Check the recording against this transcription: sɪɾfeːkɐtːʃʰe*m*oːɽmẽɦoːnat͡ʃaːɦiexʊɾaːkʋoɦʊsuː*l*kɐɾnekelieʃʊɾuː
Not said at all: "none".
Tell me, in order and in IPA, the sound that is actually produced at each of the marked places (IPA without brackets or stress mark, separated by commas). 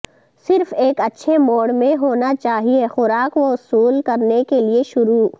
m, l